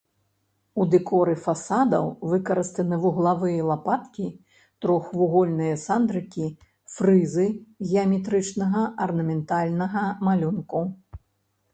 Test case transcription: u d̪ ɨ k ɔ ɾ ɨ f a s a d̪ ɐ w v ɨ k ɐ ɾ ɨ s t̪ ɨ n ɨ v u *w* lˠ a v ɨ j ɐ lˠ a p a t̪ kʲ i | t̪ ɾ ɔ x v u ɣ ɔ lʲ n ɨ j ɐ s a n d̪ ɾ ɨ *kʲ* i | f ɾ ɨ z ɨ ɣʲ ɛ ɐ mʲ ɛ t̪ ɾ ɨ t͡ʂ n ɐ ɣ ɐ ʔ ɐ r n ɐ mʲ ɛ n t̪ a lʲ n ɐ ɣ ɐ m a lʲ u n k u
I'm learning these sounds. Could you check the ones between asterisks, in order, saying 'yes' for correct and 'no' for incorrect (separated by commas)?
no, yes